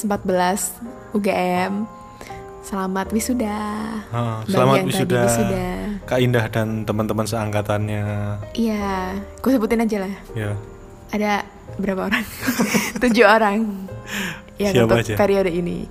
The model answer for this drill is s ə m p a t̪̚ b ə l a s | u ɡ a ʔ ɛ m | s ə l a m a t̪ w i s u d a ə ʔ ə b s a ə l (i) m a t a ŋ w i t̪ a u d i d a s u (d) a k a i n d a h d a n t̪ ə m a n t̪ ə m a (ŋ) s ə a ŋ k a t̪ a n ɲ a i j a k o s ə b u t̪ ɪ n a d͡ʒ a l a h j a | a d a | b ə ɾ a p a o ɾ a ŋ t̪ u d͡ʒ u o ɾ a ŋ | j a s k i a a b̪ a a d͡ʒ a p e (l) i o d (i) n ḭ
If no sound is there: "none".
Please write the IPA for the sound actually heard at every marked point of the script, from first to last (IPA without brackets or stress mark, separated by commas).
a, d, n, ɾ, i